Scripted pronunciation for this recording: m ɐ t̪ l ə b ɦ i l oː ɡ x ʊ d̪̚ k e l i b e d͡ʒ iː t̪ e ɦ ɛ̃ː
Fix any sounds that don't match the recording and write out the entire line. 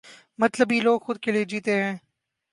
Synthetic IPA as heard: m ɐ t̪ l ə b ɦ i l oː ɡ x ʊ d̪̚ k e l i e d͡ʒ iː t̪ e ɦ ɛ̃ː